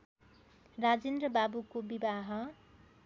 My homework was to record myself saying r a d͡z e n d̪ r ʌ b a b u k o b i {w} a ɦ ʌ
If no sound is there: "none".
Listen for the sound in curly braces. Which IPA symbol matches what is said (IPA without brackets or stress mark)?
b